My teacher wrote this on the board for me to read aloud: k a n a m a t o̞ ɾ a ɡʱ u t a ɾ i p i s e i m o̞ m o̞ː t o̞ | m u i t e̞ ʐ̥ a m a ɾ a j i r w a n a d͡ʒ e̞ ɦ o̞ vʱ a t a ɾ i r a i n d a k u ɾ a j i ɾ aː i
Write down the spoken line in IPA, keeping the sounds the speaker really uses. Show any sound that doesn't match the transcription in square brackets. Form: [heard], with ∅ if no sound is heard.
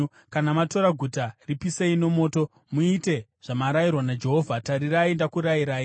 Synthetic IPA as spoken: k a n a m a t o̞ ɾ a ɡʱ u t a [r] i p i s e i [n] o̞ m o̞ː t o̞ | m u i t e̞ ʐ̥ a m a ɾ a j i r w a n a d͡ʒ e̞ ɦ o̞ vʱ a t a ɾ i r a i n d a k u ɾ a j i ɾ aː i